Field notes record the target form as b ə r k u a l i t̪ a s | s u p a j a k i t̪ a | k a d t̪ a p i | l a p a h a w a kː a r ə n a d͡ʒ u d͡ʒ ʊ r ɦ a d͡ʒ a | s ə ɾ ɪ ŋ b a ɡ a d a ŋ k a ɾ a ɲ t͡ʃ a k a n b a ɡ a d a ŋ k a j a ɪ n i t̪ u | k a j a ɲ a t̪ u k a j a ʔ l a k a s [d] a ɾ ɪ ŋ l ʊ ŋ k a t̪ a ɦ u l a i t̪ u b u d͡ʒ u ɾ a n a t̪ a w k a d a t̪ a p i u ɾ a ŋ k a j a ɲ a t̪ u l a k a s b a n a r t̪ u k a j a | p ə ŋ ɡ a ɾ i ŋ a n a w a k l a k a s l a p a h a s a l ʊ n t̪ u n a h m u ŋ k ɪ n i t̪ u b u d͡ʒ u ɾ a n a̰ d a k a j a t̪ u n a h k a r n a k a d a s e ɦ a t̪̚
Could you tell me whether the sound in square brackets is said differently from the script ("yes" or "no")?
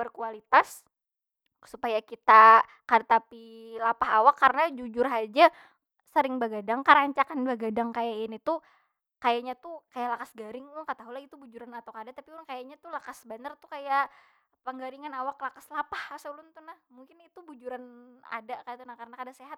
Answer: yes